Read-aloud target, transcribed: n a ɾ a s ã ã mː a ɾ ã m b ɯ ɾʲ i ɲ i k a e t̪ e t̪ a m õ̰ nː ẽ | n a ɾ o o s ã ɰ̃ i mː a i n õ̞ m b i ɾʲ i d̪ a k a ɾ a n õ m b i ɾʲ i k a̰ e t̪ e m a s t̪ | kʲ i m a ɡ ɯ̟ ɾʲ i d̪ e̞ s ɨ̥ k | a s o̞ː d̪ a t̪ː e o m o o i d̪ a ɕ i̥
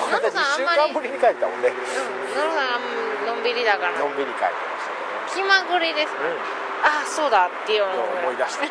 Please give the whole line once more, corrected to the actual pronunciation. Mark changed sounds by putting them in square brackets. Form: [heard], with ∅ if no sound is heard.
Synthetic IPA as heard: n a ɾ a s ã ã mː a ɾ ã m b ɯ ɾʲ i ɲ i k a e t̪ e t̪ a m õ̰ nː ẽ | n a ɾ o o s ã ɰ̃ [a] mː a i n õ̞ m b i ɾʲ i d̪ a k a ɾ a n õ m b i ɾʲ i k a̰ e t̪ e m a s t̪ | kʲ i m a ɡ ɯ̟ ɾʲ i d̪ e̞ s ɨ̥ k | a s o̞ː d̪ a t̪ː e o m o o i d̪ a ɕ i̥